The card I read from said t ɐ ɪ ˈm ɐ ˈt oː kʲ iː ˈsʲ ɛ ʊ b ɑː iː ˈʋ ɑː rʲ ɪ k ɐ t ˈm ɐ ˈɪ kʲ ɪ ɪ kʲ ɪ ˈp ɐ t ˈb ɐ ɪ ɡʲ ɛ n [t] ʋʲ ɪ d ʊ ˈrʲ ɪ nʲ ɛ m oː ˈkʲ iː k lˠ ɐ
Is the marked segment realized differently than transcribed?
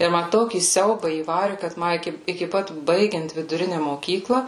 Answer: no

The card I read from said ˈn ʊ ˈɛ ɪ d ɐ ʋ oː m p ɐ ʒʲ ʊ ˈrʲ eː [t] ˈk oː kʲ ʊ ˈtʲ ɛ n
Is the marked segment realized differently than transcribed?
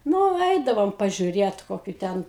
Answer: no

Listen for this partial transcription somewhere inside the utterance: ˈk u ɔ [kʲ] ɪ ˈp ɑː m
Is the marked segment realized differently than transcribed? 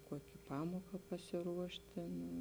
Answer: no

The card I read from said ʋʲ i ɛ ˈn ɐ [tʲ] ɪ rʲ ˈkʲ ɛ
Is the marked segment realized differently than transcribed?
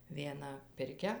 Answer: yes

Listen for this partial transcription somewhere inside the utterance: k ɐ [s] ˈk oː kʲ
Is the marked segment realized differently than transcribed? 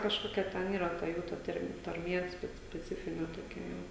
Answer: yes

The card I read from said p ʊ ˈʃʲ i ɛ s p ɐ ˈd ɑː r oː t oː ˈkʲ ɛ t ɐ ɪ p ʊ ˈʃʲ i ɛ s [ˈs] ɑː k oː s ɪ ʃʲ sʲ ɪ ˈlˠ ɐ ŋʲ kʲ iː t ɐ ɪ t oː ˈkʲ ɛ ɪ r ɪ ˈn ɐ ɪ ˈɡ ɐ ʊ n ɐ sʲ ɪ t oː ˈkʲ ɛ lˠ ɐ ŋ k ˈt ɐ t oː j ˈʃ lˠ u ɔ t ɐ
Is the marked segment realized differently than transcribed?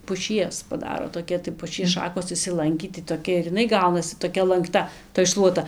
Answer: yes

